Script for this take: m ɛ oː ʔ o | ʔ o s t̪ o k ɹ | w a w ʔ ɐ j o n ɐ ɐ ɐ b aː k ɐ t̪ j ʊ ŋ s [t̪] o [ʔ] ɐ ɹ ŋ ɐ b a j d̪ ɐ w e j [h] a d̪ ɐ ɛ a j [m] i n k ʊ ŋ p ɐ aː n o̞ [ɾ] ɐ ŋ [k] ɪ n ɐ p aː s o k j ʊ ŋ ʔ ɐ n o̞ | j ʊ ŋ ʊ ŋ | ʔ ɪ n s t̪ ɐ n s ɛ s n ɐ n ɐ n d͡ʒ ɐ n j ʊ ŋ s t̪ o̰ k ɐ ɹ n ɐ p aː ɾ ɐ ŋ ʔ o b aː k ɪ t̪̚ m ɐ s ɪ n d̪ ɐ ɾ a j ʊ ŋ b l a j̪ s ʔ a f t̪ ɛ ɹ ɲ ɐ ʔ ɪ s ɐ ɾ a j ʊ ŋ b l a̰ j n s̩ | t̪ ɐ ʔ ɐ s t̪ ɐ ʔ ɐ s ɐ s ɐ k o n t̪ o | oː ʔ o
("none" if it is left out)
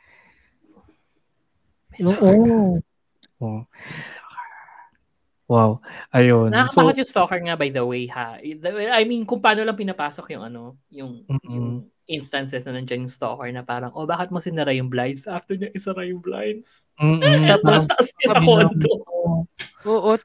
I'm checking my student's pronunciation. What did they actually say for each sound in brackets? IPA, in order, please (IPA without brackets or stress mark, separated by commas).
t̪, k, h, m, l, p